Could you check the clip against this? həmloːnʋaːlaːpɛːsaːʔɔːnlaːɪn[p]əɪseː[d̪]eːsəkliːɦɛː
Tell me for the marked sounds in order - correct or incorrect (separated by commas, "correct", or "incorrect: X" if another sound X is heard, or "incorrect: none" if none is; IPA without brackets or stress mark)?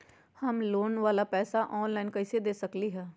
incorrect: k, correct